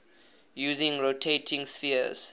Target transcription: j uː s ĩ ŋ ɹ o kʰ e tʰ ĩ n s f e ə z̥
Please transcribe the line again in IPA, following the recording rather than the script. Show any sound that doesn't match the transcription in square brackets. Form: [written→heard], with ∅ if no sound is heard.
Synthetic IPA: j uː [s→z] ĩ ŋ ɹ o [kʰ→tʰ] e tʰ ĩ [n→ŋ] s f [e→i] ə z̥